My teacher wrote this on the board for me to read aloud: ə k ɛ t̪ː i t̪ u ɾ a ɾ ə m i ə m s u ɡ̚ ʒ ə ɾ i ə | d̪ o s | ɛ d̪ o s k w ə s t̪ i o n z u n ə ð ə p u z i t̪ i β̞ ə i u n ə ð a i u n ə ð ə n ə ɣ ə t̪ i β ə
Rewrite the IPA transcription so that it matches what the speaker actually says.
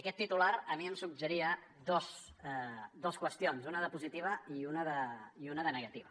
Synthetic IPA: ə k ɛ t̪ː i t̪ u l a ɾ ə m i ə m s u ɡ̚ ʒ ə ɾ i ə | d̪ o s | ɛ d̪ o s k w ə s t̪ i o n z u n ə ð ə p u z i t̪ i β̞ ə i u n ə ð ə i u n ə ð ə n ə ɣ ə t̪ i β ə